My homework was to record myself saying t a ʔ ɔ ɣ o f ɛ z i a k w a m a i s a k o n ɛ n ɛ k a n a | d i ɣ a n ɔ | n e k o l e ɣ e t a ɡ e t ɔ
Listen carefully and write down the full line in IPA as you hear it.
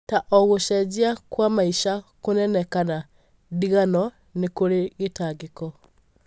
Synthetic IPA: t a ʔ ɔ ɣ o ʃ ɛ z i a k w a m a i ʃ a k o n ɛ n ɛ k a n a | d i ɣ a n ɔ | n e k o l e ɣ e t a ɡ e k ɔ